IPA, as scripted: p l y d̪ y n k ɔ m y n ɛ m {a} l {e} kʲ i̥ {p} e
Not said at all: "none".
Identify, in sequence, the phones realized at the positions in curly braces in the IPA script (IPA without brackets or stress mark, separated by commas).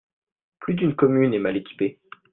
a, e, p